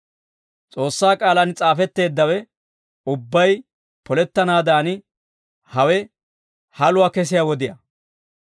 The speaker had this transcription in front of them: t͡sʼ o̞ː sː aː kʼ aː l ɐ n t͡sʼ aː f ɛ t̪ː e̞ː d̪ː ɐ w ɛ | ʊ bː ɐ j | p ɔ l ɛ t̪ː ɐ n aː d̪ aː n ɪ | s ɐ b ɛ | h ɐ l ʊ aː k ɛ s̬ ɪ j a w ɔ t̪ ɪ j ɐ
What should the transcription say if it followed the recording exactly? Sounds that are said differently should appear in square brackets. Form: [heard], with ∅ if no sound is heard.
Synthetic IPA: t͡sʼ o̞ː sː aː kʼ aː l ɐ n t͡sʼ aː f ɛ t̪ː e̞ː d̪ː ɐ w ɛ | ʊ bː ɐ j | p ɔ l ɛ t̪ː ɐ n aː d̪ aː n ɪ | [h] ɐ [w] ɛ | h ɐ l ʊ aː k ɛ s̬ ɪ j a w ɔ [d̪] ɪ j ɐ